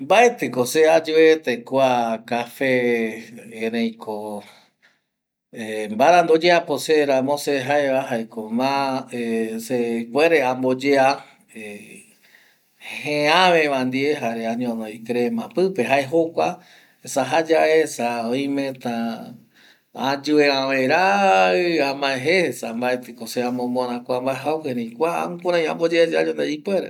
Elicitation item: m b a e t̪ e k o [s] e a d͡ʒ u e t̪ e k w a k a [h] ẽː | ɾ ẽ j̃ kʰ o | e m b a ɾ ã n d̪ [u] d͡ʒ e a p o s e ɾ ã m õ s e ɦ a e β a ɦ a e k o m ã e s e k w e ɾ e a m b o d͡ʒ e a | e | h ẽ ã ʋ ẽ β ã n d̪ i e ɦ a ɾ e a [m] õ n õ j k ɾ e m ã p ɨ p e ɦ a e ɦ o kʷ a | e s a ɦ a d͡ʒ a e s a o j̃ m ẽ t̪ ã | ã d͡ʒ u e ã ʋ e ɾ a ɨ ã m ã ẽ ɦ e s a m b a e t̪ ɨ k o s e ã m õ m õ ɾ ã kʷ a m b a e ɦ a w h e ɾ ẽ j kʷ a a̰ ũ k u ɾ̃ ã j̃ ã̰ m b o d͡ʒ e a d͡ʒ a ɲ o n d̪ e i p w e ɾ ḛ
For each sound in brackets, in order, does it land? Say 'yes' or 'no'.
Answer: yes, no, no, no

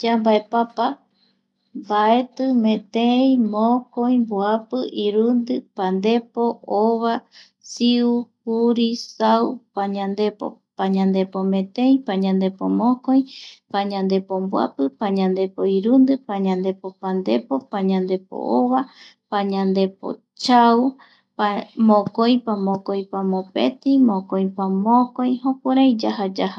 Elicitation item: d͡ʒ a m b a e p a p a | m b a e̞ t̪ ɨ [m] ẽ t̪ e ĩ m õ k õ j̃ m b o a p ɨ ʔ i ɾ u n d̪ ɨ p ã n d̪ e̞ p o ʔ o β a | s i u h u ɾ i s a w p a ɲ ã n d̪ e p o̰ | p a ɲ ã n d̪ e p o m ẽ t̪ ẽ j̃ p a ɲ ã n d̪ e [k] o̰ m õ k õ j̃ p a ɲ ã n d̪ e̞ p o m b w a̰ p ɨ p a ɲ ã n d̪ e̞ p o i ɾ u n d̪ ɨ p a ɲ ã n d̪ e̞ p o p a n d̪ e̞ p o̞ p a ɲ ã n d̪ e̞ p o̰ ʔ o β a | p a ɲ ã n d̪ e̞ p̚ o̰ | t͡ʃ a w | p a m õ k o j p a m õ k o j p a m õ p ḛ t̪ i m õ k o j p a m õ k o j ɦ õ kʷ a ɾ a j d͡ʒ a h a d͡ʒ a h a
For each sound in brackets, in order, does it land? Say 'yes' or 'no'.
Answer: yes, no

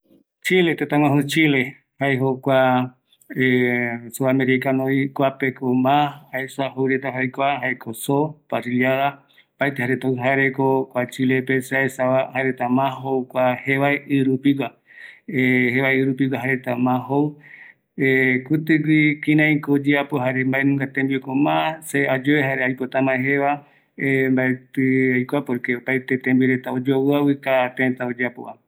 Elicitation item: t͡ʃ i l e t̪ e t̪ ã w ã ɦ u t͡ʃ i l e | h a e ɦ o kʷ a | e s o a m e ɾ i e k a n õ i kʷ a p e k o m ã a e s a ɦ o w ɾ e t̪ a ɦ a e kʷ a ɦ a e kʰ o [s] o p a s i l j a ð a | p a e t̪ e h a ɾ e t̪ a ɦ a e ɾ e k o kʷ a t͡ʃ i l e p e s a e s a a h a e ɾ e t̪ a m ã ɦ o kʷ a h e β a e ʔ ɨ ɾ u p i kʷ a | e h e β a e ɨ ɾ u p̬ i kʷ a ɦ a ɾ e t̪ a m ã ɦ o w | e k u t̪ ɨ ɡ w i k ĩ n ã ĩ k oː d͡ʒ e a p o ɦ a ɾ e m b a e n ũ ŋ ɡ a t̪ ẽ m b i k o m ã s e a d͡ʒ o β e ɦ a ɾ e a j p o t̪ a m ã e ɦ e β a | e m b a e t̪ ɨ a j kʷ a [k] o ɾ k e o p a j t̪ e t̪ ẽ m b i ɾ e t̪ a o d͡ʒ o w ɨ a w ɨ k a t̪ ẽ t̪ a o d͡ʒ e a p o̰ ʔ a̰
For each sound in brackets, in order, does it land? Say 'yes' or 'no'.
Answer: yes, no

